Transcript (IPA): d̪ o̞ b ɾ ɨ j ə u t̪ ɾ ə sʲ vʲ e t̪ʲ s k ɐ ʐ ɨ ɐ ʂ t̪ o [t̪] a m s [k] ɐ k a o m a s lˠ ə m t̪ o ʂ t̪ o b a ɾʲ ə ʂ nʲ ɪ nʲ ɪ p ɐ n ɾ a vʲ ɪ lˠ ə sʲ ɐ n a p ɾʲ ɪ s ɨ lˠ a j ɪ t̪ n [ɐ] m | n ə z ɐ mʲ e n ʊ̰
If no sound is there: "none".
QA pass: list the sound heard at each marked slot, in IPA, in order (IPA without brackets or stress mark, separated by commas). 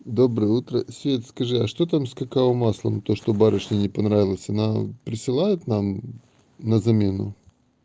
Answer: t̪, k, a